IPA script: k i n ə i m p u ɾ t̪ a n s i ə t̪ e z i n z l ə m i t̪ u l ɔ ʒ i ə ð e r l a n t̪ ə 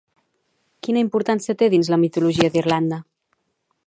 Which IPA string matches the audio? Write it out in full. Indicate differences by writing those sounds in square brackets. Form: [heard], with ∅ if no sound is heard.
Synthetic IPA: k i n ə i m p u ɾ t̪ a n s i ə t̪ e [ð] i n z l ə m i t̪ u l [u] ʒ i ə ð [i] r l a n [d̪] ə